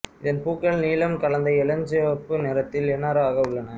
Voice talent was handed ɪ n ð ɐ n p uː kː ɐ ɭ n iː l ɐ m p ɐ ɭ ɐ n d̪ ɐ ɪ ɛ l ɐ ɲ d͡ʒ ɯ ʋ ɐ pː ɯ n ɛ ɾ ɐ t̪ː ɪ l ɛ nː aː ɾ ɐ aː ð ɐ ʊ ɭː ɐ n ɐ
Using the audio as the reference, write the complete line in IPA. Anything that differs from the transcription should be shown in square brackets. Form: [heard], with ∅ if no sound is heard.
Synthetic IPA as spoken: ɪ [∅] ð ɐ n p uː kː ɐ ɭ n iː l ɐ m [k] ɐ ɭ ɐ n d̪ ɐ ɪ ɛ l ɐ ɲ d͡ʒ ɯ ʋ ɐ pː ɯ n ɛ ɾ ɐ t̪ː ɪ l ɛ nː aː ɾ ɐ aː [ɣ] ɐ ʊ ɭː ɐ n ɐ